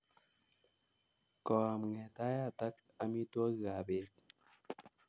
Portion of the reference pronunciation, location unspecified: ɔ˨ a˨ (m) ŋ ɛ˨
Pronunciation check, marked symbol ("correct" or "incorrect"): correct